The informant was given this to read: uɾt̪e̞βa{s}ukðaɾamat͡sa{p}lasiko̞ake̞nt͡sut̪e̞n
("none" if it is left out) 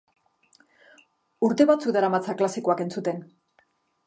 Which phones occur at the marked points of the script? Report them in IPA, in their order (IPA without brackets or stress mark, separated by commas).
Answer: t͡s, k